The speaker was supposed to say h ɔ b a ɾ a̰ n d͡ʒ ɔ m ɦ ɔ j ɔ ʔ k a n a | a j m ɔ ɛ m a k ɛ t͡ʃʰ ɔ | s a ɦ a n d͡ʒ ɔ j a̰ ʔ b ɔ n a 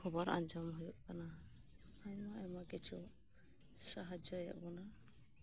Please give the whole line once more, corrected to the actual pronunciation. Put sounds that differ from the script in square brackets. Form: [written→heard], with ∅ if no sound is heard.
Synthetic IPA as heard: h ɔ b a ɾ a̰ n d͡ʒ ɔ m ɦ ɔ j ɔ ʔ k a n a | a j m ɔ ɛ m a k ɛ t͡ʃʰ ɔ | s a ɦ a [n→∅] d͡ʒ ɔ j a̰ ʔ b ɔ n a